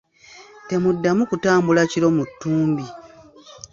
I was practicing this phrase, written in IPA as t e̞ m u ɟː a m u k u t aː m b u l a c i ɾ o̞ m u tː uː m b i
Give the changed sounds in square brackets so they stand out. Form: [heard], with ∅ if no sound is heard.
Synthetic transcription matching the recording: t e̞ m u [dː] a m u k u t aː m b u l a c i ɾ o̞ m u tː uː m b i